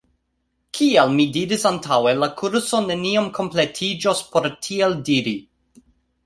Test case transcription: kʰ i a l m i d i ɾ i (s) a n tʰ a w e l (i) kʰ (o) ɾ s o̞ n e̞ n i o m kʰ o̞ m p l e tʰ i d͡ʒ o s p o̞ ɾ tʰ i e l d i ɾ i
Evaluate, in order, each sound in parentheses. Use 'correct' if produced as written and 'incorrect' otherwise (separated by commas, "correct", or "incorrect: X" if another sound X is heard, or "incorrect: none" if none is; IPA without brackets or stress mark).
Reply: correct, incorrect: a, incorrect: u